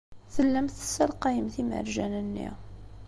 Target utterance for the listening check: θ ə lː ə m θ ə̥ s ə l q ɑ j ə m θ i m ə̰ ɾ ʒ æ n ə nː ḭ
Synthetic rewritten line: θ ə lː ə m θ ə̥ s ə l q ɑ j ə m θ i m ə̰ ɾ ʒ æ n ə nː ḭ